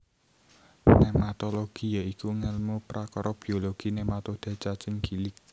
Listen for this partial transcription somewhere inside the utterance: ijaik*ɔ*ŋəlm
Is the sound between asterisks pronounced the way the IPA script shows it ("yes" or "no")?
no